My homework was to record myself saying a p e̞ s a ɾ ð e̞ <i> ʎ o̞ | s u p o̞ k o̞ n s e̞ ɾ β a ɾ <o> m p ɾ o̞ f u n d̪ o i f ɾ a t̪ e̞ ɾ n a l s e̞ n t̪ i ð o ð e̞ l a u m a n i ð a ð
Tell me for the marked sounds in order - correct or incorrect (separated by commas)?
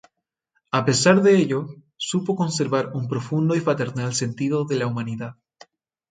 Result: incorrect, incorrect